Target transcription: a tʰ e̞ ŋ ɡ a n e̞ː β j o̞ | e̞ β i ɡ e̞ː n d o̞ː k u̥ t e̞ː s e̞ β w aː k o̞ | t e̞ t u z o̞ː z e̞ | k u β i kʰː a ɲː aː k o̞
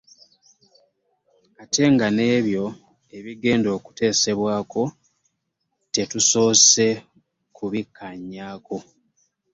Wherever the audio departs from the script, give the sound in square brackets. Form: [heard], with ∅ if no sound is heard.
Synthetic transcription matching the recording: a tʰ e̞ ŋ ɡ a n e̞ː β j o̞ | e̞ β i ɡ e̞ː n d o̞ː k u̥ t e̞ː s e̞ β w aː k o̞ | t e̞ t u [s] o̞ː [s] e̞ | k u β i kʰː a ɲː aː k o̞